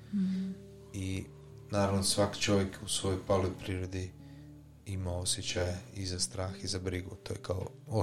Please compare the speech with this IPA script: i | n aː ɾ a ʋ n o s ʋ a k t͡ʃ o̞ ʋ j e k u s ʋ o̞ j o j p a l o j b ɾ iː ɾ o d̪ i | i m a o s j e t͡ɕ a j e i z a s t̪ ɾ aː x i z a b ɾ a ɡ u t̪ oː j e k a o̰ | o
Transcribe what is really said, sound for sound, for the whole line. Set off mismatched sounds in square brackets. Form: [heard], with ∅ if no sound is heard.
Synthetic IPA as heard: i | n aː ɾ a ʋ n o s ʋ a k t͡ʃ o̞ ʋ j e k u s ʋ o̞ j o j p a l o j [p] ɾ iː ɾ o d̪ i | i m a o s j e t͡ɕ a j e i z a s t̪ ɾ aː x i z a b ɾ [i] ɡ u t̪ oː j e k a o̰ | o